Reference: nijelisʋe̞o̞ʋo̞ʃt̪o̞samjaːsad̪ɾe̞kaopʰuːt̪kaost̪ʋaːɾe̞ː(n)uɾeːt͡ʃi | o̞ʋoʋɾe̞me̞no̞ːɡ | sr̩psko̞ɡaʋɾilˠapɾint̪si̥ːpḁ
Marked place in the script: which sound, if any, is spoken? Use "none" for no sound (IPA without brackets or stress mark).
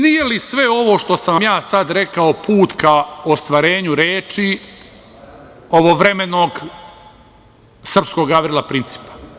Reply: ɲ